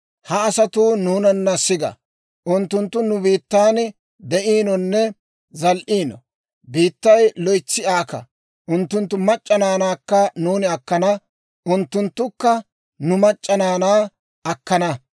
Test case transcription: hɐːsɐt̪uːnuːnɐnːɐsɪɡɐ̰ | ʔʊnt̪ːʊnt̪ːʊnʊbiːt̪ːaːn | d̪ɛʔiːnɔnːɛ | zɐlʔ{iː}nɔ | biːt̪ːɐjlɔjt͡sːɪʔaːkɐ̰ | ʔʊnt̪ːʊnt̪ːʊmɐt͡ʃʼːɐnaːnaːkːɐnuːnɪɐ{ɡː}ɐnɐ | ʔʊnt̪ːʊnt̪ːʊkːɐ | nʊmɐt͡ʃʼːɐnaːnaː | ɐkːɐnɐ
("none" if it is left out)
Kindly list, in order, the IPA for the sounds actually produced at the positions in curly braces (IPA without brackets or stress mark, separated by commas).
iː, kː